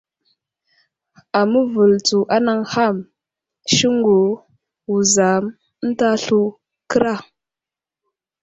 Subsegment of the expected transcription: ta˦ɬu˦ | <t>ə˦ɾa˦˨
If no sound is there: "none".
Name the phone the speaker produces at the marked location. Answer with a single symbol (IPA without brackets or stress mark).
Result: k